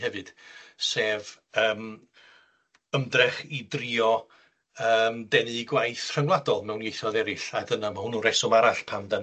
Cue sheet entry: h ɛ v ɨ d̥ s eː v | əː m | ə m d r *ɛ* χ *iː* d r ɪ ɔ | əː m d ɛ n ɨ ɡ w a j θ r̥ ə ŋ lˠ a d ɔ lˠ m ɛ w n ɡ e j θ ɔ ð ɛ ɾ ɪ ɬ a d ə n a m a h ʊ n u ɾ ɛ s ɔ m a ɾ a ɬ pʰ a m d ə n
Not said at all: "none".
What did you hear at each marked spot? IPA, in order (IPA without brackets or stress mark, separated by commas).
ɛ, i